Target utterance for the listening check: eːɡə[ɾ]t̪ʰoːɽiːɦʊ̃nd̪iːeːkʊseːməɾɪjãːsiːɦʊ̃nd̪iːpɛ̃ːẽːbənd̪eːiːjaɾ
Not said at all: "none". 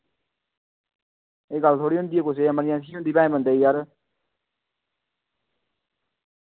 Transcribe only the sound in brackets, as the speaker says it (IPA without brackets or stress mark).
l